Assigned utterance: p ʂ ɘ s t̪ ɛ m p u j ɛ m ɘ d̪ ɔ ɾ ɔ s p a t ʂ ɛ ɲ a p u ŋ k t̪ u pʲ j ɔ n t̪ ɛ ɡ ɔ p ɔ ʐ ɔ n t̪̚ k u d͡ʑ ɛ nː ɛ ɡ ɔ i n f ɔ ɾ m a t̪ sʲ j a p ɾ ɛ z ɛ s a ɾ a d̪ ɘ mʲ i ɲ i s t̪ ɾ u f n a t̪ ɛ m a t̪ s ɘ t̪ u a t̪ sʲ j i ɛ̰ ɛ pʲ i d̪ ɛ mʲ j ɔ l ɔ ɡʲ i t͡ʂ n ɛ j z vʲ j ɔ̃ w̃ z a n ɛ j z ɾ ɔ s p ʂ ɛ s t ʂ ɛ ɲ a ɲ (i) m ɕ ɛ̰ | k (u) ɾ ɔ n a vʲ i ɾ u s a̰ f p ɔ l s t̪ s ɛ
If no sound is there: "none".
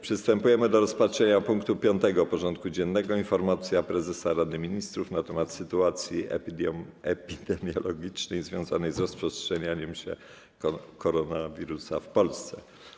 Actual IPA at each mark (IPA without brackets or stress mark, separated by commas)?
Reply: ɛ, ɔ